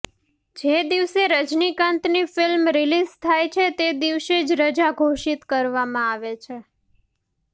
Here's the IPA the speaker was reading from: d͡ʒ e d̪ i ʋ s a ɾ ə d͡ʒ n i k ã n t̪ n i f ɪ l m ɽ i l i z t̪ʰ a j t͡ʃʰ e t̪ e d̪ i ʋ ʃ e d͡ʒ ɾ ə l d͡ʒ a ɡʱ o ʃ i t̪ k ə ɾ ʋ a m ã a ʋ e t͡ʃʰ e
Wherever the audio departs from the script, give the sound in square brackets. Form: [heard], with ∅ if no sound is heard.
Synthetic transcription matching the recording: d͡ʒ e d̪ i ʋ s [e] ɾ ə d͡ʒ n i k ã n t̪ n i f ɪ l m [ɾ] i l i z t̪ʰ a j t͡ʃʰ e t̪ e d̪ i ʋ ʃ e d͡ʒ ɾ ə [∅] d͡ʒ a ɡʱ o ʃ i t̪ k ə ɾ ʋ a m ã a ʋ e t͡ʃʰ e